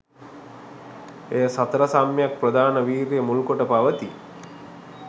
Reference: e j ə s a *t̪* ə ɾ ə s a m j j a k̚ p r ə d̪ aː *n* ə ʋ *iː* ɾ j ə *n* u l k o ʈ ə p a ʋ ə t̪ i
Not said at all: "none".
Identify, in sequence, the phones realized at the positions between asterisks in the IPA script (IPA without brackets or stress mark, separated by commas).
t̪, n, iː, m